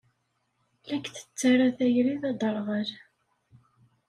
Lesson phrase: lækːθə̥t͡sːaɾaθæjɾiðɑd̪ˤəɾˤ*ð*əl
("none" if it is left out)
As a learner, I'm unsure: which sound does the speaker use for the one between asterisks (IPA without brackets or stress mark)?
ʁ